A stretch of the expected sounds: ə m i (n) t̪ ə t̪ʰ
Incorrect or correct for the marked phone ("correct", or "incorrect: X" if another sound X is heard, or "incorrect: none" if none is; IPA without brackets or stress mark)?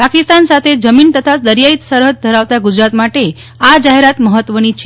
correct